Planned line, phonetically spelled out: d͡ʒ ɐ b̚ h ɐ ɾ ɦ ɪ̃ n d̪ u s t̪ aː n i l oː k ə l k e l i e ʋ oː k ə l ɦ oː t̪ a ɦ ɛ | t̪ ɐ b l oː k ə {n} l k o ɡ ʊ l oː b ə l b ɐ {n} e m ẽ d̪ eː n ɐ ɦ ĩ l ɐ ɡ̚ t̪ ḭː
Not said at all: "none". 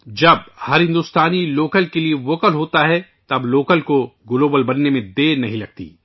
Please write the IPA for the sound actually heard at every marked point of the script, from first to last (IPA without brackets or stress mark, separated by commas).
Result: none, nː